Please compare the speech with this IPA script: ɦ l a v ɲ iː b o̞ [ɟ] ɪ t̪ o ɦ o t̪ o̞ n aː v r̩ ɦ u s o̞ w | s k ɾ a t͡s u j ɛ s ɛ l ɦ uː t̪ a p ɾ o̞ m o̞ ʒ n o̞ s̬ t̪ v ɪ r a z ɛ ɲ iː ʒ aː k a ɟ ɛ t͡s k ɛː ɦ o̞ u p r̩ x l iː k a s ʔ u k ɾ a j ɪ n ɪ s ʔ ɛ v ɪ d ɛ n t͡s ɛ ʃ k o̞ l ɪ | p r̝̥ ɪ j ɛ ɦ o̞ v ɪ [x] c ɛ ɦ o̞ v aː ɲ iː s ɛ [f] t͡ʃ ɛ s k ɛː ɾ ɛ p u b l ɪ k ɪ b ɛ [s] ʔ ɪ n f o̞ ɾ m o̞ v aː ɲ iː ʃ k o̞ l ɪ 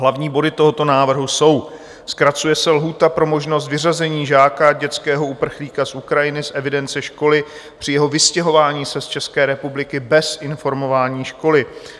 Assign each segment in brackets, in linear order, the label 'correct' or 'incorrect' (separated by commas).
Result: incorrect, incorrect, incorrect, correct